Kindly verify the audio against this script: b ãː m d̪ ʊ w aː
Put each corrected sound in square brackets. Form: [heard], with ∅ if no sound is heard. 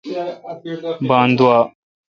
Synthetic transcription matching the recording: b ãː [n] d̪ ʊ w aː